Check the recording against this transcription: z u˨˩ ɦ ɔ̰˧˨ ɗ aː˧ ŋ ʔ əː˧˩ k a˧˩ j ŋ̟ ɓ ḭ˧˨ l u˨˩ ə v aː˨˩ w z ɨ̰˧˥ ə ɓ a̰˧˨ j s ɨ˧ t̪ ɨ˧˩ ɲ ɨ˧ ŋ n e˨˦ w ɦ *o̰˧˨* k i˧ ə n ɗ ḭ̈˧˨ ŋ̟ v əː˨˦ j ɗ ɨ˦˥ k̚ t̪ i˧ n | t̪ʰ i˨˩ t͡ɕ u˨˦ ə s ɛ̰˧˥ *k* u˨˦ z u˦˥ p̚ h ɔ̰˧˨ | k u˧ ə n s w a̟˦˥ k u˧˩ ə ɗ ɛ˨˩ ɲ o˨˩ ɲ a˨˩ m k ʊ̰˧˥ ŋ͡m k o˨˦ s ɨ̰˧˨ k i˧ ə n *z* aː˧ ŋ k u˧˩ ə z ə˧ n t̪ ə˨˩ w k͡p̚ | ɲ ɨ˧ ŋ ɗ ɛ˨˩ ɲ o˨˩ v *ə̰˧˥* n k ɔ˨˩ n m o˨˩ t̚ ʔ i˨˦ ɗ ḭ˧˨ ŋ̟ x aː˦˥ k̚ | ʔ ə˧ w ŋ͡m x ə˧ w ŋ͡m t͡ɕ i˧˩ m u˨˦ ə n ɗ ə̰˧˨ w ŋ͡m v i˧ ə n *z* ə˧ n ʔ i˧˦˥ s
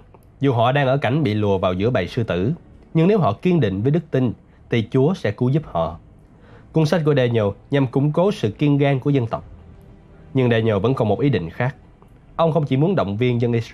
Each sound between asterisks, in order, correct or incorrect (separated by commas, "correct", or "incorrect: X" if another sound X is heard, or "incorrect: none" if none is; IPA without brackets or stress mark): incorrect: ɔ̰˧˨, correct, incorrect: ɣ, correct, correct